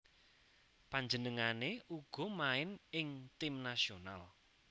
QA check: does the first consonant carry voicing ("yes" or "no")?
no